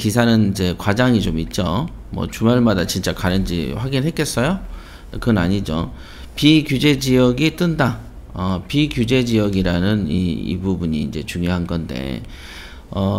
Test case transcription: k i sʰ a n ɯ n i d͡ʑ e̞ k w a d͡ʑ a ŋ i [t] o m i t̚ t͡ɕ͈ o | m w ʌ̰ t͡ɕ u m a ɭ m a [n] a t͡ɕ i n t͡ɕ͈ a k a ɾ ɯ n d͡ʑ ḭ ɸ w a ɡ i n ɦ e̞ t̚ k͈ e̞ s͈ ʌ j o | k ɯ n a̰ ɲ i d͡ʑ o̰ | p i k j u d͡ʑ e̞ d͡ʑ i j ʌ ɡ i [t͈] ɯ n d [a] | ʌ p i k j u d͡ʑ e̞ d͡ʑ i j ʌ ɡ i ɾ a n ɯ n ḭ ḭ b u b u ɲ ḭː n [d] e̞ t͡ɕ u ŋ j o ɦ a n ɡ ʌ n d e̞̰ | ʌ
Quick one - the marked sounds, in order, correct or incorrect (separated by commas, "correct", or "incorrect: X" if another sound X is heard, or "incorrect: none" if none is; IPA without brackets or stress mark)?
incorrect: t͡ɕ, incorrect: d, correct, correct, incorrect: d͡ʑ